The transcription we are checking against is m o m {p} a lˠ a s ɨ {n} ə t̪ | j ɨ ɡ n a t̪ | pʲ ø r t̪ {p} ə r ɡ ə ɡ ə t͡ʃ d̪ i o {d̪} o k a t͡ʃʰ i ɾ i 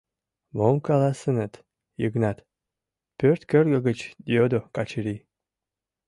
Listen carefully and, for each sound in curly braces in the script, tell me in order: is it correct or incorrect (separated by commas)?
incorrect, correct, incorrect, correct